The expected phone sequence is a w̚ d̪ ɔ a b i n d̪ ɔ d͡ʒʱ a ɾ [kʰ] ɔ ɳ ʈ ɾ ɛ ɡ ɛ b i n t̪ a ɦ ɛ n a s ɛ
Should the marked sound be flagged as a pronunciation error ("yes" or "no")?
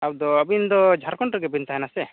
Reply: yes